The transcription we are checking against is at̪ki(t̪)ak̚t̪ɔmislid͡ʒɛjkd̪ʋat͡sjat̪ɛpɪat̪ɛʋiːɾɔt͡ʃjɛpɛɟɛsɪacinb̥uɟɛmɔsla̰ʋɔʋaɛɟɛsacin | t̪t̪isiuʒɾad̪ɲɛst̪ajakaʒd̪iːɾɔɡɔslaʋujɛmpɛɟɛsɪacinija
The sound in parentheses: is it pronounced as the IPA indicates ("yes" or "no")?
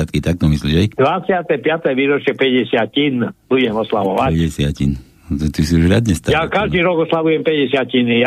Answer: yes